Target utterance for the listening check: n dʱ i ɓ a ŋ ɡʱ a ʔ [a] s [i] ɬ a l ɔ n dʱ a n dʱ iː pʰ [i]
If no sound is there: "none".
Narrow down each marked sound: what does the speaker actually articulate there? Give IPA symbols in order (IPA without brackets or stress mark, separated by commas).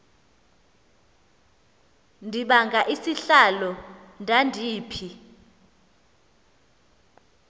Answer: i, i, i